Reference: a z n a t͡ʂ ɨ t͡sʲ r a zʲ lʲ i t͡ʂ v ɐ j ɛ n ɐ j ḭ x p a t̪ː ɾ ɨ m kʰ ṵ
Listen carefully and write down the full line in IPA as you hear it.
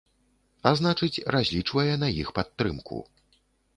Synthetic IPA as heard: a z n a t͡ʂ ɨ t͡sʲ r a zʲ lʲ i t͡ʂ v ɐ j ɛ n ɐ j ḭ x p a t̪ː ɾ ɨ m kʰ ṵ